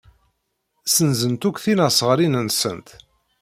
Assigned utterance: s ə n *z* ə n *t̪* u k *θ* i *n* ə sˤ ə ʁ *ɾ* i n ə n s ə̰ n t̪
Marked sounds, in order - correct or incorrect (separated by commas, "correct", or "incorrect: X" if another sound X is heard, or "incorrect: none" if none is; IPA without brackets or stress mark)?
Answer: correct, correct, correct, correct, correct